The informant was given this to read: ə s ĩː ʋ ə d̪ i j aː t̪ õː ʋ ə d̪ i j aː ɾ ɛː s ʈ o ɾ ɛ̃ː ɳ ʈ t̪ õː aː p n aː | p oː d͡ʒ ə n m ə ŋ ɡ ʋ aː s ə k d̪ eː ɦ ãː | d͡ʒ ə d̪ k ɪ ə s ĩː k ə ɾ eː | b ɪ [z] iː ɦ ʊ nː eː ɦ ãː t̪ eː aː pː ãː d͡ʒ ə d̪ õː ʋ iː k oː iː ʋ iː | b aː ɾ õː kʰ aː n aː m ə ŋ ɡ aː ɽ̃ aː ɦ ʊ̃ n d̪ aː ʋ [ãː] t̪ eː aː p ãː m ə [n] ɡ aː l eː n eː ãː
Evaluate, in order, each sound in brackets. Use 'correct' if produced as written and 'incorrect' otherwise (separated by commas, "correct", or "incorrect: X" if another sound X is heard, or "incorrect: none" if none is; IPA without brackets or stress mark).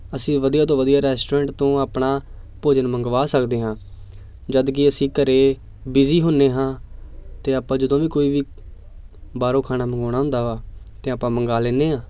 correct, incorrect: aː, incorrect: ŋ